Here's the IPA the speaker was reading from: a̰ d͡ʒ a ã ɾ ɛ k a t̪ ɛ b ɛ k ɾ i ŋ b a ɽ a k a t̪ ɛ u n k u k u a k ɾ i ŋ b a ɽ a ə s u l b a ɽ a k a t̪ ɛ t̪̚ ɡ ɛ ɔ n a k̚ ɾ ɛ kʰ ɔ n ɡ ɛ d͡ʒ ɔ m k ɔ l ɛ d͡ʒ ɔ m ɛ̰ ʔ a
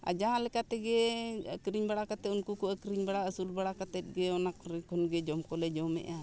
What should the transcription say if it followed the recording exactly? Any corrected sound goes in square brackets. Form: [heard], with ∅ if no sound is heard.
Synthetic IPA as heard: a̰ d͡ʒ a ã [l] ɛ k a t̪ ɛ [ɡ] ɛ k ɾ i [ɲ] b a ɽ a k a t̪ ɛ u n k u k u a k ɾ i [ɲ] b a ɽ a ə s u l b a ɽ a k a t̪ ɛ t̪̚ ɡ ɛ ɔ n a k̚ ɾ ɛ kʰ ɔ n ɡ ɛ d͡ʒ ɔ m k ɔ l ɛ d͡ʒ ɔ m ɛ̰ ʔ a